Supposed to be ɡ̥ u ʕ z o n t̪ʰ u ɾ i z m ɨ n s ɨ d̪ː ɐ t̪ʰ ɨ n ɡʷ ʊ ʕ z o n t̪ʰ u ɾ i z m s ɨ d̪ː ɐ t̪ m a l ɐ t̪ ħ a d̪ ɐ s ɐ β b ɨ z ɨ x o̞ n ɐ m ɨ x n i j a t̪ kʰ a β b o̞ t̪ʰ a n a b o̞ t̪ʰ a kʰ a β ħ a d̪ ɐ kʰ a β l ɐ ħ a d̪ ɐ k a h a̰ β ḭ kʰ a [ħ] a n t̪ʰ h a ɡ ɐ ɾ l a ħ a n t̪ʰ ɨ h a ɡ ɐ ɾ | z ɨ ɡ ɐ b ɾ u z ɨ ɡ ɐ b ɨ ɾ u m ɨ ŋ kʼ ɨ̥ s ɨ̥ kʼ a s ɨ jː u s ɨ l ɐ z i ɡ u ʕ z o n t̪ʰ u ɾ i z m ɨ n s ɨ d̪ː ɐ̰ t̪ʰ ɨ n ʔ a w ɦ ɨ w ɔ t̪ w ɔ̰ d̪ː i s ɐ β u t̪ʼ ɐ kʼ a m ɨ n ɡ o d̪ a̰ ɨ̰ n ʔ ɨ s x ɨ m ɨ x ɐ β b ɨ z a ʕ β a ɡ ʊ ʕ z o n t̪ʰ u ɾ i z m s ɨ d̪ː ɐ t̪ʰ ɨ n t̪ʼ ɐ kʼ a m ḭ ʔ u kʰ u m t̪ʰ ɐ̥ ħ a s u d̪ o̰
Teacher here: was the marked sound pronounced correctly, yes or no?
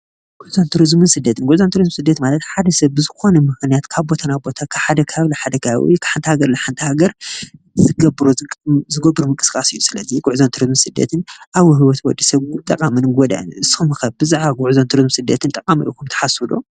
yes